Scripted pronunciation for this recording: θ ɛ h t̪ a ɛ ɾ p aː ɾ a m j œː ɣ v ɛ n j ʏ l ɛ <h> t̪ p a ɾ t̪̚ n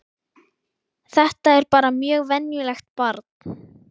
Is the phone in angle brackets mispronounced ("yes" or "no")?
yes